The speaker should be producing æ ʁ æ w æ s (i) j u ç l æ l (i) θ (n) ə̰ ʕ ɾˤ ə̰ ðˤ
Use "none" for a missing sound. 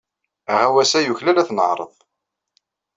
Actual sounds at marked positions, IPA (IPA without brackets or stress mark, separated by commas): æ, æ, n